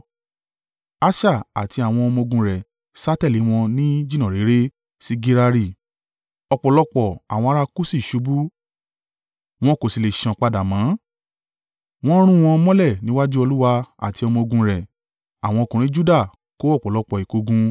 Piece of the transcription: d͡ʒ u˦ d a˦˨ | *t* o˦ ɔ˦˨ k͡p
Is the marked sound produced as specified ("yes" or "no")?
no